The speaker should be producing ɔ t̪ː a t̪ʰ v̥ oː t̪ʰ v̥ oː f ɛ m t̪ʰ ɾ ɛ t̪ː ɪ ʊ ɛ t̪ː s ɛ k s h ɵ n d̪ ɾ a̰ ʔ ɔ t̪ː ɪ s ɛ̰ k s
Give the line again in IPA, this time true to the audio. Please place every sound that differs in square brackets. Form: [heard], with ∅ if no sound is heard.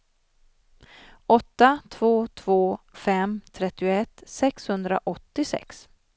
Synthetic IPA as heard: ɔ t̪ː a t̪ʰ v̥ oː t̪ʰ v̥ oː f ɛ m t̪ʰ ɾ ɛ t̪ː ɪ ʊ ɛ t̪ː s ɛ k s h ɵ n d̪ ɾ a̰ ʔ ɔ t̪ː ɪ s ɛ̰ k s